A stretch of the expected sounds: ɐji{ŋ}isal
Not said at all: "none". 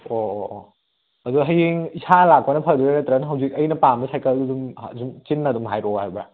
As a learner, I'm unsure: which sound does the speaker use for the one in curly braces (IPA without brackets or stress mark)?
ŋ